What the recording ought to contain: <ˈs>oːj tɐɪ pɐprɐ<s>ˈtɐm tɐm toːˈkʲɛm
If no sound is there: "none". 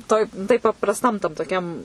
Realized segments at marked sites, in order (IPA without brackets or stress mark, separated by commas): t, s